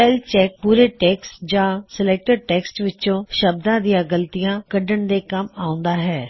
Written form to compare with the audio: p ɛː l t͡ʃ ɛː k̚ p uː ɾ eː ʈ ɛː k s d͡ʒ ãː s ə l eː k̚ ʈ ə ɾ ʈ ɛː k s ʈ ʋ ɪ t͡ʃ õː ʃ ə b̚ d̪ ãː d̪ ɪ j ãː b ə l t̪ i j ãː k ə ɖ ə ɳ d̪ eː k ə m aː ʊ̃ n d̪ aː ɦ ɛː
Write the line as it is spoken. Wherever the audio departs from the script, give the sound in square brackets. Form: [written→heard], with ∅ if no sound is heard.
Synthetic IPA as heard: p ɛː l t͡ʃ ɛː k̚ p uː ɾ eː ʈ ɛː k s d͡ʒ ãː s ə l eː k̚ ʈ ə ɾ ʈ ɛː k s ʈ ʋ ɪ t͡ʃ õː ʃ ə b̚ d̪ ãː d̪ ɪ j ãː [b→ɡ] ə l t̪ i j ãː k ə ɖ ə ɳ d̪ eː k ə m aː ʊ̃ n d̪ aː ɦ ɛː